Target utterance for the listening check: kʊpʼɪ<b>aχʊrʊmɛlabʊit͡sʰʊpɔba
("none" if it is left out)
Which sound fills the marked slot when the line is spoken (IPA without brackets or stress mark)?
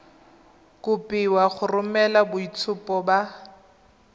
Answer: w